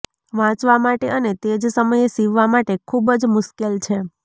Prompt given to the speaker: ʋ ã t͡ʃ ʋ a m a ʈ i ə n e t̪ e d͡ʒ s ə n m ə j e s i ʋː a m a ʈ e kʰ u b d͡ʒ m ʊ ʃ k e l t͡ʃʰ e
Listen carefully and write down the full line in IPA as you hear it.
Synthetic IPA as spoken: ʋ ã t͡ʃ ʋ a m a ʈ e ə n e t̪ e d͡ʒ s ə m ə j e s i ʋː a m a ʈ e kʰ u b d͡ʒ m ʊ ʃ k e l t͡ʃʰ e